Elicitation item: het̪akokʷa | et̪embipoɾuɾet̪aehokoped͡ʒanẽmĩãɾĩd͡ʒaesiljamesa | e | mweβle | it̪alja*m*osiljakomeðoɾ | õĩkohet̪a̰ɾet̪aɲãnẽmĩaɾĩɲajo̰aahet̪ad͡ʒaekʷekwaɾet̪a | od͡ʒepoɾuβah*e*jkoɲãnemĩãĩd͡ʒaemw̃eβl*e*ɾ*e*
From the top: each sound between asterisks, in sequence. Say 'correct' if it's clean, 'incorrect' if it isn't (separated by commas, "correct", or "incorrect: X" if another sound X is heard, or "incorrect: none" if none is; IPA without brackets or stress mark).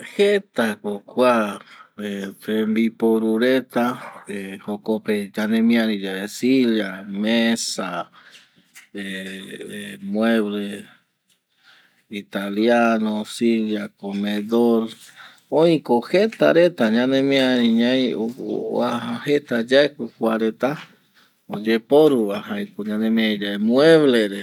incorrect: n, incorrect: a, correct, correct